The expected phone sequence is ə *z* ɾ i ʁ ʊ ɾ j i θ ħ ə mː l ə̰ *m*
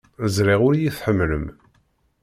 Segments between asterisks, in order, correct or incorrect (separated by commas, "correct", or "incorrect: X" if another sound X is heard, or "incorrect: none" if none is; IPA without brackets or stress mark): correct, correct